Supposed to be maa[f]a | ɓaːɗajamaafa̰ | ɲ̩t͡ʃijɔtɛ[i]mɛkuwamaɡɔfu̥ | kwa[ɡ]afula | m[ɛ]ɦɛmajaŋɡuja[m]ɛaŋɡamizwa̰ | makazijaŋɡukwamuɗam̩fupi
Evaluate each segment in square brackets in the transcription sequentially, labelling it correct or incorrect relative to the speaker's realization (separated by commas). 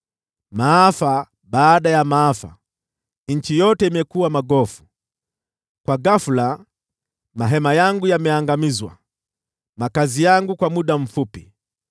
correct, correct, correct, incorrect, correct